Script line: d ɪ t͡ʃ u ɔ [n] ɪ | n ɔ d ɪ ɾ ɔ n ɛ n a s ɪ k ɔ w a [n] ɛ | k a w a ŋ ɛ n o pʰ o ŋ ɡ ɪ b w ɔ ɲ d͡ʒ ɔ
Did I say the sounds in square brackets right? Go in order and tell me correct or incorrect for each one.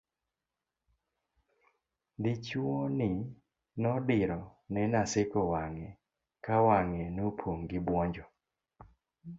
correct, incorrect

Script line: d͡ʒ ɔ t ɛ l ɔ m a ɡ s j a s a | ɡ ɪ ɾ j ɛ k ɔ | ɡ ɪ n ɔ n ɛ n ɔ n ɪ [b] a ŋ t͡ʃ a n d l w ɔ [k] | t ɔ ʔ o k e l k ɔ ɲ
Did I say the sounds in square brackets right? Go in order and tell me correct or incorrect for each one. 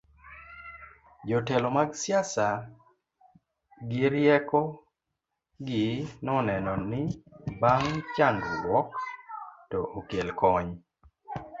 correct, correct

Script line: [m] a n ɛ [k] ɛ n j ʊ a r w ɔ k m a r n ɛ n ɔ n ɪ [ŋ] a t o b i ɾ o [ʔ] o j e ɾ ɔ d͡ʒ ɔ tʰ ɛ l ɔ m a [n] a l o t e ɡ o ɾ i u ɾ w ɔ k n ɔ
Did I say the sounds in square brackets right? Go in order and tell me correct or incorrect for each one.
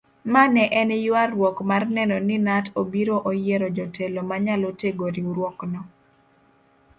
correct, incorrect, incorrect, correct, incorrect

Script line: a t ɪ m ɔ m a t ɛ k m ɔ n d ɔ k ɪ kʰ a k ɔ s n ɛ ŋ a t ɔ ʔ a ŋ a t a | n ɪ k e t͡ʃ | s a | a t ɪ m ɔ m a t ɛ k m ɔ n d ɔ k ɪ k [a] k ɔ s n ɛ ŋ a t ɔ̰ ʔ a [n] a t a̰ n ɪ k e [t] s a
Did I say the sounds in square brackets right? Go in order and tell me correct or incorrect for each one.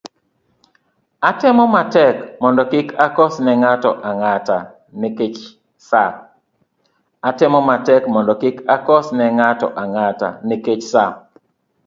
correct, incorrect, incorrect

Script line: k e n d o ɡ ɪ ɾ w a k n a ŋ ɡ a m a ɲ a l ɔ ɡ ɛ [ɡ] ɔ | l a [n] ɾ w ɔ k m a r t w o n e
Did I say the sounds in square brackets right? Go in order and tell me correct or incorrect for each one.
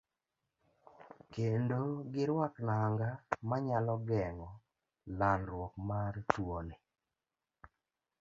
incorrect, correct

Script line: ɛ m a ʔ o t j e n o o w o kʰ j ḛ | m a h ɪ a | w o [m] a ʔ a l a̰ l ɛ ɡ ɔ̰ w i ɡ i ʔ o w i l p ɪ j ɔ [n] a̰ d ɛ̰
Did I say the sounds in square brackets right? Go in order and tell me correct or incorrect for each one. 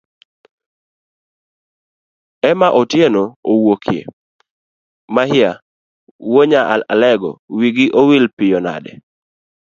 incorrect, correct

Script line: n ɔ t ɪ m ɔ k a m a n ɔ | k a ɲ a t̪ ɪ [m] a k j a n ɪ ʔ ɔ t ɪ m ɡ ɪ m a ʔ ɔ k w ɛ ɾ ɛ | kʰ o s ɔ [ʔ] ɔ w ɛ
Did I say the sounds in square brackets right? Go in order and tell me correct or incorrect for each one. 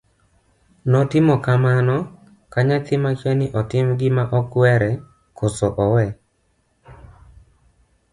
correct, correct

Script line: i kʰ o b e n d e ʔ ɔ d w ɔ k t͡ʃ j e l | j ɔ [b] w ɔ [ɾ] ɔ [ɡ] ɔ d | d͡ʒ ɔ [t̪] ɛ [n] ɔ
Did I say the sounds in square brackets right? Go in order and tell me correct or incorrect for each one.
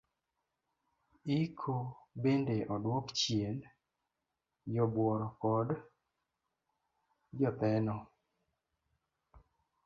correct, correct, incorrect, correct, correct

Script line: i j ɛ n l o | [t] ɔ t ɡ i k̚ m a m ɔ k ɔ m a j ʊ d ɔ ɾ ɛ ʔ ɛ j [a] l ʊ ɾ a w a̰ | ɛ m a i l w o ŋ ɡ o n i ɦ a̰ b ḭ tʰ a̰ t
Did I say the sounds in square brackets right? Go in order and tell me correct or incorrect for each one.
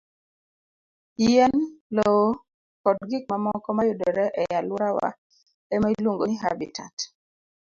incorrect, correct

